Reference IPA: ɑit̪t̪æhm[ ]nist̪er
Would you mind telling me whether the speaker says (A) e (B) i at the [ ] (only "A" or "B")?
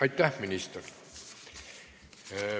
B